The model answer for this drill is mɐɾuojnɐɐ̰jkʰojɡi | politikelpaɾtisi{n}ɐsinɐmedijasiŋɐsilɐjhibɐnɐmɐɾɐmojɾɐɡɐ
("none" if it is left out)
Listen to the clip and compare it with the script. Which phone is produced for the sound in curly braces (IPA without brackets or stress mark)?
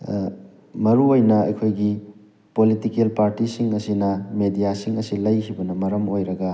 ŋ